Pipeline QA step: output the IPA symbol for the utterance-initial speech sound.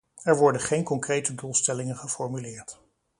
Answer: ɛ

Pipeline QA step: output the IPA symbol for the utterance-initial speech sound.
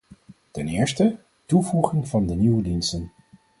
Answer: t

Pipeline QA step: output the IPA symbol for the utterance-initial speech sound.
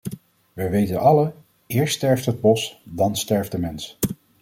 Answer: ʋ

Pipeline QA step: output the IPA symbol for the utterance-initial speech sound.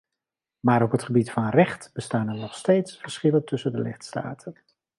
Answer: m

